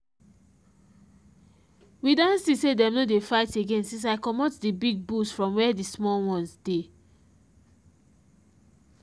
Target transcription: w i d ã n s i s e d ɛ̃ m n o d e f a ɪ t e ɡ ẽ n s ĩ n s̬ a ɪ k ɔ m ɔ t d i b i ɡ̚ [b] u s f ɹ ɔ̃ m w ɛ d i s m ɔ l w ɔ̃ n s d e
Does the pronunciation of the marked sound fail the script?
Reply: no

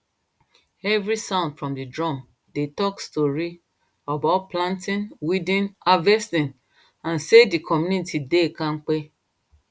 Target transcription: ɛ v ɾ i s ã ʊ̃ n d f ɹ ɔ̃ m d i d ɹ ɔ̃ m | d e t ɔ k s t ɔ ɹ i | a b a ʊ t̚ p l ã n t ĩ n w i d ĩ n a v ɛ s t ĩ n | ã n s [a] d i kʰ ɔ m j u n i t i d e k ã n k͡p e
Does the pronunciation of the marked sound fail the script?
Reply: yes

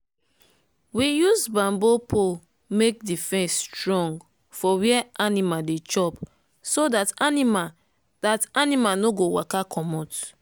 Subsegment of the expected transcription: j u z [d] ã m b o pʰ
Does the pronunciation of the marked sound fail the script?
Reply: yes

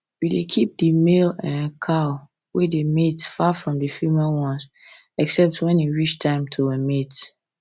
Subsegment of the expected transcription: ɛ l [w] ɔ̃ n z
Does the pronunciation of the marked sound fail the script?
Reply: no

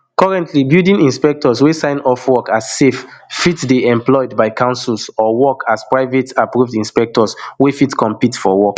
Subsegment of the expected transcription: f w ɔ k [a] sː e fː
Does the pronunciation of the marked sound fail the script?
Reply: no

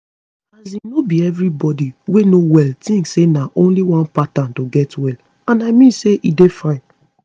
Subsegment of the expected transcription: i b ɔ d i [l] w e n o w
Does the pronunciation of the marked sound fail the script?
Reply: yes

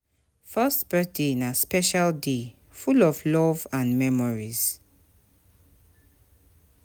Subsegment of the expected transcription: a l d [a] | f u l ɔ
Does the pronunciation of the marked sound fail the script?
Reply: yes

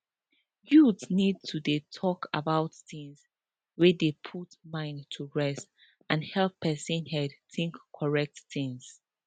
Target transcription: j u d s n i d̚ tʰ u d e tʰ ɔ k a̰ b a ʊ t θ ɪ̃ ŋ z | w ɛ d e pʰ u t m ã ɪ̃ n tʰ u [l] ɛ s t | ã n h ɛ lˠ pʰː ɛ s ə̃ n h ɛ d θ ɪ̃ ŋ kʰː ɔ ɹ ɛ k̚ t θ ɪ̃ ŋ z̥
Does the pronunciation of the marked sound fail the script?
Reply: yes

